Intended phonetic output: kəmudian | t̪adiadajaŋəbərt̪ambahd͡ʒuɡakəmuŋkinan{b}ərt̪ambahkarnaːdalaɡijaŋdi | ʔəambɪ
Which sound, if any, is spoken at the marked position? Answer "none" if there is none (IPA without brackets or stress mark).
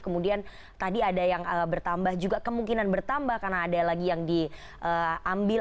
b